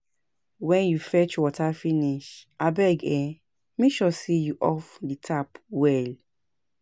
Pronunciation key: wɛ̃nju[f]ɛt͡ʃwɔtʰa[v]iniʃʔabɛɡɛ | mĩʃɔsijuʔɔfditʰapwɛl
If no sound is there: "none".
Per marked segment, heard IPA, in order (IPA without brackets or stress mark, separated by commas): f, f